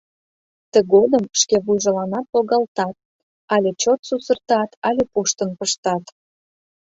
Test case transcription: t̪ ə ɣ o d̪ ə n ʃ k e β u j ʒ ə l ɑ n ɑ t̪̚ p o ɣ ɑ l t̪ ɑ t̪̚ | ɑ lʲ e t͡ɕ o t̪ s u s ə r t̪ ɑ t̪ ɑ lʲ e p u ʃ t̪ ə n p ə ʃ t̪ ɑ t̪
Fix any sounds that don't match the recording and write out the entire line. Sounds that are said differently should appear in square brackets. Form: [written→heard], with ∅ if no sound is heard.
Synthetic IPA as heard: t̪ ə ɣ o d̪ ə [n→m] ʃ k e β u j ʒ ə l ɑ n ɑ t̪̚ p o ɣ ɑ l t̪ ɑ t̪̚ | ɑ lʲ e t͡ɕ o t̪ s u s ə r t̪ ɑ t̪ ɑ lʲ e p u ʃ t̪ ə n p ə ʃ t̪ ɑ t̪